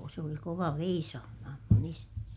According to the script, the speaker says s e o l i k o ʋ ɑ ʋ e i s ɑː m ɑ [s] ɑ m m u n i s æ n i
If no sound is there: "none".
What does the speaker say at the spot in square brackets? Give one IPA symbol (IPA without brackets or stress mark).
h